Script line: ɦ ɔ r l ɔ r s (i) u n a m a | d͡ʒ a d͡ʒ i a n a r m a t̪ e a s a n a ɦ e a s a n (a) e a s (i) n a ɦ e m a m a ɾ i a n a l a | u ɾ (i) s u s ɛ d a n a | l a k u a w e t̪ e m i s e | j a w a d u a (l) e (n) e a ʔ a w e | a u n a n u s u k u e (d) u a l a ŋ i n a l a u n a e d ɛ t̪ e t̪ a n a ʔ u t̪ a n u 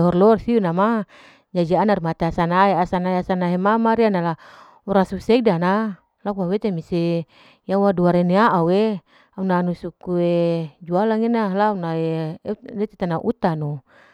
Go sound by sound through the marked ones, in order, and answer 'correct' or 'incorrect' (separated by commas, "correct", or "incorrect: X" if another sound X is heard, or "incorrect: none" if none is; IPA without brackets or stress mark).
correct, correct, incorrect: a, incorrect: a, incorrect: ɾ, correct, incorrect: d͡ʒ